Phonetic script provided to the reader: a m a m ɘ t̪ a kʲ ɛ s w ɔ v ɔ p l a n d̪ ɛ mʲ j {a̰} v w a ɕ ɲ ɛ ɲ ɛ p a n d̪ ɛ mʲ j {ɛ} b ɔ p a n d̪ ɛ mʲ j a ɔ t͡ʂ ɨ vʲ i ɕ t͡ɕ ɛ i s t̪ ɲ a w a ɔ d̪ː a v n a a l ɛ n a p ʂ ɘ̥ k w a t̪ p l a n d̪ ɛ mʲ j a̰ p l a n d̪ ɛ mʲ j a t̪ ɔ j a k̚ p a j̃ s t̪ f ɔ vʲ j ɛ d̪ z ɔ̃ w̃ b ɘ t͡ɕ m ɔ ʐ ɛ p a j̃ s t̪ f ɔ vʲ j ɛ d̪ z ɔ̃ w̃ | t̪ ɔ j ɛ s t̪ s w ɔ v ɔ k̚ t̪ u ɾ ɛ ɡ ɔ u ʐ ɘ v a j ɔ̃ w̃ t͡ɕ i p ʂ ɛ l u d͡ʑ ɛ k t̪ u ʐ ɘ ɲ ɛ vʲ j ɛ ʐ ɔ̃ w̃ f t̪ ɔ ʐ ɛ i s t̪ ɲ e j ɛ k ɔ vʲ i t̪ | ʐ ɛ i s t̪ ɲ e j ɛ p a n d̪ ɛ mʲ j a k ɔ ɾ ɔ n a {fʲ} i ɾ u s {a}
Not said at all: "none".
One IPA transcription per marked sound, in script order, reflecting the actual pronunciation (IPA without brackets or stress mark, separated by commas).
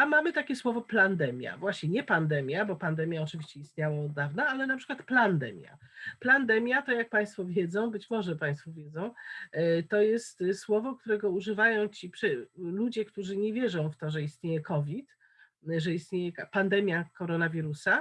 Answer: a̰, a, vʲ, a